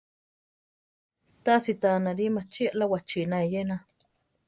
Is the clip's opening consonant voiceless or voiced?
voiceless